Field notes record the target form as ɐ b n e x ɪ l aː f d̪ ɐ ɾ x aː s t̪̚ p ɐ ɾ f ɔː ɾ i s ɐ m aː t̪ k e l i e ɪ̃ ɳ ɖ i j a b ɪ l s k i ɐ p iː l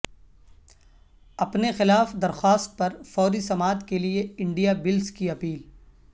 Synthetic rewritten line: ɐ p n e x ɪ l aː f d̪ ɐ ɾ x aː s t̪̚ p ɐ ɾ f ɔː ɾ i s ɐ m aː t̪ k e l i e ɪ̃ ɳ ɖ i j a b ɪ l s k i ɐ p iː l